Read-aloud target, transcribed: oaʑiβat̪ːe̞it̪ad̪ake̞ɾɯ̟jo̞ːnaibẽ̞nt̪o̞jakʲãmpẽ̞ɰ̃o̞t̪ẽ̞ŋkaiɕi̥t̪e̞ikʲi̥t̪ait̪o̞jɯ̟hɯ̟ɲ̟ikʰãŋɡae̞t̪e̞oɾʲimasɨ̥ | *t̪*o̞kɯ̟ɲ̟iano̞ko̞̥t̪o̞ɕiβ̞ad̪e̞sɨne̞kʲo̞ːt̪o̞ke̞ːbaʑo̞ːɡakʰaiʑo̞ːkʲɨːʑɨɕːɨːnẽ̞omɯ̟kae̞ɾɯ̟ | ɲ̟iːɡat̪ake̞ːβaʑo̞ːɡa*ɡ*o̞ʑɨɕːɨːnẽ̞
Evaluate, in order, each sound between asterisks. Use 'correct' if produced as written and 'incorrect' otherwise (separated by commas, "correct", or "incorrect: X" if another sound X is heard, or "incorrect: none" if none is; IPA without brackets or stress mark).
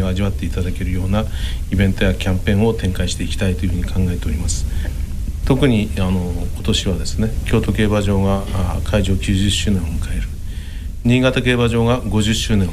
correct, correct